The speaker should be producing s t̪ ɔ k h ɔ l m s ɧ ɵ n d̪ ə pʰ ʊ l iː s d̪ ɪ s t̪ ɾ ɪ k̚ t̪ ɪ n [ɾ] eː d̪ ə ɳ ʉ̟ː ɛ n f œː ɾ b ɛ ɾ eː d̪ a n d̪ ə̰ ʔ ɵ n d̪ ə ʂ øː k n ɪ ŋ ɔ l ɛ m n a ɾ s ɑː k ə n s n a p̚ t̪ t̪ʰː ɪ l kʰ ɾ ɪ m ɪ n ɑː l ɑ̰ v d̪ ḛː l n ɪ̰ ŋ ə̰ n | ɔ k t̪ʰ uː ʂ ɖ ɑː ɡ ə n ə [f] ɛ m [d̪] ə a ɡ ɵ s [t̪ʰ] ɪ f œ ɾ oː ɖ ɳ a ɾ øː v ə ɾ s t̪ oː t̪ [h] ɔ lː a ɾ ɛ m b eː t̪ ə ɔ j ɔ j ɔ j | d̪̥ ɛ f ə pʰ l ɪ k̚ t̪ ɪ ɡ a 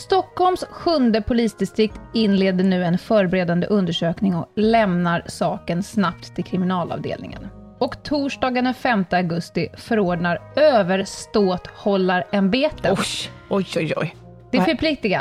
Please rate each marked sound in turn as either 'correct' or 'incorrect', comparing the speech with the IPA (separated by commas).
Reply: incorrect, correct, incorrect, incorrect, correct